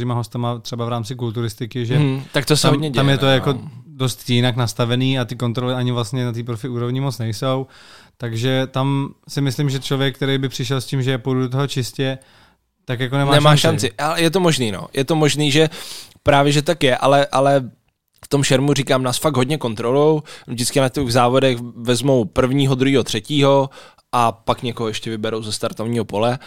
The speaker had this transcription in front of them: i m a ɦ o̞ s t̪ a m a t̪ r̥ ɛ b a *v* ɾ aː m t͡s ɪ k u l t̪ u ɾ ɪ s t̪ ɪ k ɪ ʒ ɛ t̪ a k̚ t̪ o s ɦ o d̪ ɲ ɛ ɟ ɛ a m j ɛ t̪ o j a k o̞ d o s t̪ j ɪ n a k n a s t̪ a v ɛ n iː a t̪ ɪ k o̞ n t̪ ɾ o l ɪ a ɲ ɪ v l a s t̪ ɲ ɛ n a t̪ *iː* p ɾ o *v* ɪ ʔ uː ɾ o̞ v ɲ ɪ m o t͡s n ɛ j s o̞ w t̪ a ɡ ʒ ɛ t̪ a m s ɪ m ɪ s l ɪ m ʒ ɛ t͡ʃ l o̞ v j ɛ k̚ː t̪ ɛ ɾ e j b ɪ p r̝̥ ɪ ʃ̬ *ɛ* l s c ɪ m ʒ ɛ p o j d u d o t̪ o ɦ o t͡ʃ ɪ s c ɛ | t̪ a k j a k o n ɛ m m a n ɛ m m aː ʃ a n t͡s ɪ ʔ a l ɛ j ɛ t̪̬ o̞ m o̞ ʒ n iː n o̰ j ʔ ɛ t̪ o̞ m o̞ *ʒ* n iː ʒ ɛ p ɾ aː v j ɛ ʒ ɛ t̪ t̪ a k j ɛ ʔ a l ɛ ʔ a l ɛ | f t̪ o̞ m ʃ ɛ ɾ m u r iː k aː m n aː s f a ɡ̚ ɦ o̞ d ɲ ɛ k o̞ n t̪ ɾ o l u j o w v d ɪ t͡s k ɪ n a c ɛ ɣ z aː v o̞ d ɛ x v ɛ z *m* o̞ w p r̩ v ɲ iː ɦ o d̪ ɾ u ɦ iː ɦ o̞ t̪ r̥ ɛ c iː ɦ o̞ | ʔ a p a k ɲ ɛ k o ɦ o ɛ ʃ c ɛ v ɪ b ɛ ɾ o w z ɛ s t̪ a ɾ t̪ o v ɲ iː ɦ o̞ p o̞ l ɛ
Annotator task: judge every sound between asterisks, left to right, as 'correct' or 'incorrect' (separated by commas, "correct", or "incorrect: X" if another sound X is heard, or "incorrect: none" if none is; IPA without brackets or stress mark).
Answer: correct, correct, incorrect: f, correct, correct, correct